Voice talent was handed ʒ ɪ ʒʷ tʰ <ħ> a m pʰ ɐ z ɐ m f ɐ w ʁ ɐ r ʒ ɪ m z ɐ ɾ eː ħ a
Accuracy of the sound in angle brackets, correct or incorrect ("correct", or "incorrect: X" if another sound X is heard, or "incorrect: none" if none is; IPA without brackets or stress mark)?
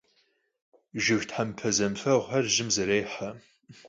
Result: correct